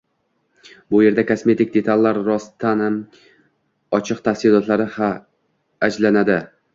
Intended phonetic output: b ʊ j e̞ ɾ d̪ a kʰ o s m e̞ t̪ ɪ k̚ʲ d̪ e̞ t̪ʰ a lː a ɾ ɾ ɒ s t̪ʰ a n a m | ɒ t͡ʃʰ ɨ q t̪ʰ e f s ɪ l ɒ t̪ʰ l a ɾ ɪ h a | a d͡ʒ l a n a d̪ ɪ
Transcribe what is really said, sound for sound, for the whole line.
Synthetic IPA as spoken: b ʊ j e̞ ɾ d̪ a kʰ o s m e̞ t̪ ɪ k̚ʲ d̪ e̞ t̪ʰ a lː a ɾ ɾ ɒ s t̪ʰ a n a m | ɒ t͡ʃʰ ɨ q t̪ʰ a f s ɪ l ɒ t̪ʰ l a ɾ ɪ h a | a d͡ʒ l a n a d̪ ɪ